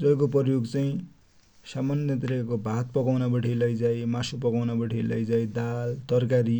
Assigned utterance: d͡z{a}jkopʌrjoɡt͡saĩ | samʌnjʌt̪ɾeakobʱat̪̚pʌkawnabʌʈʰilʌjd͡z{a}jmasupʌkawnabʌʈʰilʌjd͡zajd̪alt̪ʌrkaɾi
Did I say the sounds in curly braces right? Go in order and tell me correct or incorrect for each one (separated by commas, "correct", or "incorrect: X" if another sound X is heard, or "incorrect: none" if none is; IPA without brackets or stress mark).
incorrect: ʌ, correct